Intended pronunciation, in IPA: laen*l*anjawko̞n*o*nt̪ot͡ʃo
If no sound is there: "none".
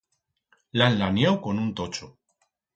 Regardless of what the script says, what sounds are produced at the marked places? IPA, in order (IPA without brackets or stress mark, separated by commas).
l, u